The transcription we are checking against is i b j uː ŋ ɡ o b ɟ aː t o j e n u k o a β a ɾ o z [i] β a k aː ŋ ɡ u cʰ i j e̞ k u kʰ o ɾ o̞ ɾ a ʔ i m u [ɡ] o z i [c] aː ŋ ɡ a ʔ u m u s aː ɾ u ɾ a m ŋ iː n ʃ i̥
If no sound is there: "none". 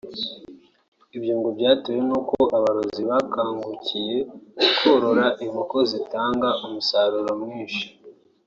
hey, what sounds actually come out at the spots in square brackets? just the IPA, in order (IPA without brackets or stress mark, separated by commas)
i, k, t